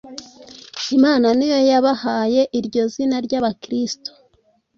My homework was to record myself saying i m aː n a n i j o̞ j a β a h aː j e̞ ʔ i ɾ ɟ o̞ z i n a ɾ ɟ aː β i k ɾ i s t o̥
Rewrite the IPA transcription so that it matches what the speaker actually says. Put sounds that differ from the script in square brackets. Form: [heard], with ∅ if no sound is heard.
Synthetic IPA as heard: i m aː n a n i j o̞ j a β a h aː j e̞ ʔ i ɾ ɟ o̞ z i n a ɾ ɟ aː β [a] k ɾ i s t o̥